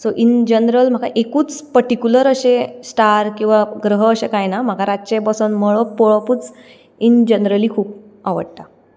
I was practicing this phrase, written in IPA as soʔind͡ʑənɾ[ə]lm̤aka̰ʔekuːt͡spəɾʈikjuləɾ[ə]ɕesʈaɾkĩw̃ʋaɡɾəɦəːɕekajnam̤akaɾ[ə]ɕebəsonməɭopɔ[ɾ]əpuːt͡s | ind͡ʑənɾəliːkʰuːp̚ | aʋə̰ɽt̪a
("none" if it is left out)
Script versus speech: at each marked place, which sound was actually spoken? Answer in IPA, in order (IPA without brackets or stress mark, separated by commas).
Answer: ə, ə, a, ɭ